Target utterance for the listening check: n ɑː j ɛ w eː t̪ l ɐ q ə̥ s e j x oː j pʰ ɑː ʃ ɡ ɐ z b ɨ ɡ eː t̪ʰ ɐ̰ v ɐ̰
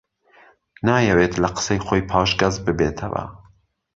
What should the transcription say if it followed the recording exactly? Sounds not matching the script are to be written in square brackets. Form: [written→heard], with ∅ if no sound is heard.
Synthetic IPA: n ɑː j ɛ w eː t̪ l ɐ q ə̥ s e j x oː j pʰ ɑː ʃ ɡ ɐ z b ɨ [ɡ→b] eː t̪ʰ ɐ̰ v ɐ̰